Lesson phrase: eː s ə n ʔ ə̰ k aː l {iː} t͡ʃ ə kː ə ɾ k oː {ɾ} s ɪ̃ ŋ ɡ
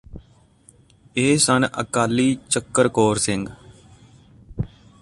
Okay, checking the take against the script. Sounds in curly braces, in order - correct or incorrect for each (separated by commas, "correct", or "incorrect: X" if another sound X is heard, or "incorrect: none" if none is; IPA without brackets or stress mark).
correct, correct